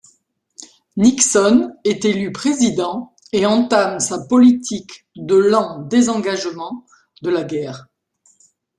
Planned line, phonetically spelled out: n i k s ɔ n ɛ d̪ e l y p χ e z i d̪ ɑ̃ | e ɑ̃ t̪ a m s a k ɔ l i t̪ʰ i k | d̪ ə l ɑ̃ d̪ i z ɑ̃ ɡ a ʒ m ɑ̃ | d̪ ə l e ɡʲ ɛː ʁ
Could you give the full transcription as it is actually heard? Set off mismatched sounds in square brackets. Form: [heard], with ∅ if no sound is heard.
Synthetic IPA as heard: n i k s ɔ n ɛ [t̪] e l y p χ e z i d̪ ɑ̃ | e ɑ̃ t̪ a m s a [p] ɔ l i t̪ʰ i k | d̪ ə l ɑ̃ d̪ [e] z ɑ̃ ɡ a ʒ m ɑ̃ | d̪ ə l [a] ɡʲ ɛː ʁ

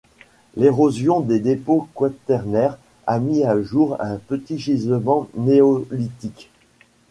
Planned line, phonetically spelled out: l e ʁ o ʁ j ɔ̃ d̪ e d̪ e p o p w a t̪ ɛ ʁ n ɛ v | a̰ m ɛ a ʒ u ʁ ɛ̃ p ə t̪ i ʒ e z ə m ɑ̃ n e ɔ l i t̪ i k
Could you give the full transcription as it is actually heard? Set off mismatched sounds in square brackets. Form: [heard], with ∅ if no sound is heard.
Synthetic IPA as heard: l e ʁ o [z] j ɔ̃ d̪ e d̪ e p o [k] w a t̪ ɛ ʁ n ɛ [ʁ] | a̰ m [i] a ʒ u ʁ ɛ̃ p ə t̪ i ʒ [i] z ə m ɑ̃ n e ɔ l i t̪ i k

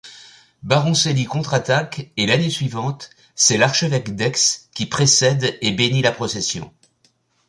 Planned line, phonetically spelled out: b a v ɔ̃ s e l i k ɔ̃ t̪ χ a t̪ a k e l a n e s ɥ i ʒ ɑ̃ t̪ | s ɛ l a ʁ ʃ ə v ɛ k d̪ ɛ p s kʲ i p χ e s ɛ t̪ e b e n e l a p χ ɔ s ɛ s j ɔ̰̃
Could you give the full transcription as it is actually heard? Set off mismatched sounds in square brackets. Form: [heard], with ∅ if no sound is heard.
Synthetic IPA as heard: b a [ʁ] ɔ̃ s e l i k ɔ̃ t̪ χ a t̪ a k e l a n e s ɥ i [v] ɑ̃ t̪ | s ɛ l a ʁ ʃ ə v ɛ k d̪ ɛ [k] s kʲ i p χ e s ɛ [d̪] e b e n [i] l a p χ ɔ s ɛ s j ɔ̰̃

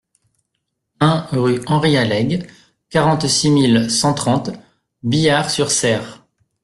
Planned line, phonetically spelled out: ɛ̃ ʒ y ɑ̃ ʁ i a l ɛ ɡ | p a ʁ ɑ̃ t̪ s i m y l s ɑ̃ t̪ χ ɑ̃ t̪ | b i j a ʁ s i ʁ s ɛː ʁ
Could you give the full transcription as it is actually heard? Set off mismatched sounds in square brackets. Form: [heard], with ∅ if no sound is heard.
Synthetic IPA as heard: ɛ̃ [ʁ] y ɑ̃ ʁ i a l ɛ ɡ | [k] a ʁ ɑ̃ t̪ s i m [i] l s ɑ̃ t̪ χ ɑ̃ t̪ | b i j a ʁ s [y] ʁ s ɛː ʁ

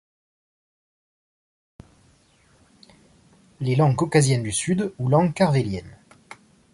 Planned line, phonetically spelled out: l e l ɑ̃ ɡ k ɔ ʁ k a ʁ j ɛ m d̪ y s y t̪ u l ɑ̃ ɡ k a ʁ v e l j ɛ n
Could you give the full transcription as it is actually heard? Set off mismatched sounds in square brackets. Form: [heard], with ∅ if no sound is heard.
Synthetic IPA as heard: l e l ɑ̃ ɡ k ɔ [∅] k a [z] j ɛ [n] d̪ y s y [d̪] u l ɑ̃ ɡ k a ʁ v e l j ɛ n

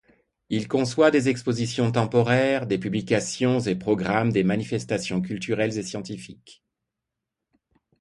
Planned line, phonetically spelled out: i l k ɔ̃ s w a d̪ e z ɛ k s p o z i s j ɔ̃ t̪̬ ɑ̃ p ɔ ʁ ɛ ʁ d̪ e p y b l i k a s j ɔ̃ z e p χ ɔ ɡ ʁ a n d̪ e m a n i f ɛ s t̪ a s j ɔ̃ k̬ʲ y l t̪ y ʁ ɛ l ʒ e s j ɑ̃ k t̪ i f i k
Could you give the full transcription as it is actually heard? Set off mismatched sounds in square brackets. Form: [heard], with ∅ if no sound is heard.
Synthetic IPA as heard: i l k ɔ̃ s w a d̪ e z ɛ k s p o z i s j ɔ̃ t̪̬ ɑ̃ p ɔ ʁ ɛ ʁ d̪ e p y b l i k a s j ɔ̃ z e p χ ɔ ɡ ʁ a [m] d̪ e m a n i f ɛ s t̪ a s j ɔ̃ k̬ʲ y l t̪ y ʁ ɛ l [z] e s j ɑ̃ [∅] t̪ i f i k

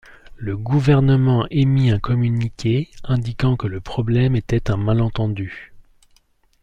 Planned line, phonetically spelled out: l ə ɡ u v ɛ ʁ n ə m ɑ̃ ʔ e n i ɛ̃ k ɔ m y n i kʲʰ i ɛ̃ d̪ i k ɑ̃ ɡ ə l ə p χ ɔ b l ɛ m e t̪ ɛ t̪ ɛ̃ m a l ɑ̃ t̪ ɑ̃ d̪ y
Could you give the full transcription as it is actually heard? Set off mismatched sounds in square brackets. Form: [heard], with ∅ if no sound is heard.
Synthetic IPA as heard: l ə ɡ u v ɛ ʁ n ə m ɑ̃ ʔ e [m] i ɛ̃ k ɔ m y n i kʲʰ [e] ɛ̃ d̪ i k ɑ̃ [k] ə l ə p χ ɔ b l ɛ m e t̪ ɛ t̪ ɛ̃ m a l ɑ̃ t̪ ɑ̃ d̪ y

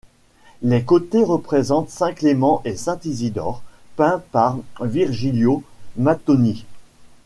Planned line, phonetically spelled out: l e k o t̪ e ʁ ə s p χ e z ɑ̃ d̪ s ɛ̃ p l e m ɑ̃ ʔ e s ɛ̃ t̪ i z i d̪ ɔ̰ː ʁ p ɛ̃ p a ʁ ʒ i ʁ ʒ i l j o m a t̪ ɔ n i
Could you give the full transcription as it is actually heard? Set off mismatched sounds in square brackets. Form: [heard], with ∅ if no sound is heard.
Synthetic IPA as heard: l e k o t̪ e ʁ ə [∅] p χ e z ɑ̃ [t̪] s ɛ̃ [k] l e m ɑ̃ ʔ e s ɛ̃ t̪ i z i d̪ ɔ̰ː ʁ p ɛ̃ p a ʁ [v] i ʁ ʒ i l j o m a t̪ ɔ n i

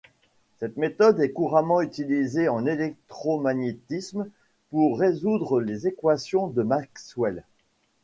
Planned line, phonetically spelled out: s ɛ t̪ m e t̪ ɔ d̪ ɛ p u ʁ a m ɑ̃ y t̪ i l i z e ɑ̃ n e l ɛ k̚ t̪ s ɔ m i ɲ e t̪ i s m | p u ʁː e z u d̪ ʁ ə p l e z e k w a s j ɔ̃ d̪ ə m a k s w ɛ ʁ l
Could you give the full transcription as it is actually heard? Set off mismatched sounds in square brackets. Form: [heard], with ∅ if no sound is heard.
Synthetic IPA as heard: s ɛ t̪ m e t̪ ɔ d̪ ɛ [k] u ʁ a m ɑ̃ y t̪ i l i z e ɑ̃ n e l ɛ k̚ t̪ [χ] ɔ m [a] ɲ e t̪ i s m | p u ʁː e z u d̪ ʁ ə [∅] l e z e k w a s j ɔ̃ d̪ ə m a k s w ɛ [∅] l

